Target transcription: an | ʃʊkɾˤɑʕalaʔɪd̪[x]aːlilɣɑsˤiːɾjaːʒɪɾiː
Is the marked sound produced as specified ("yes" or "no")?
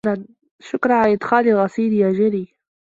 yes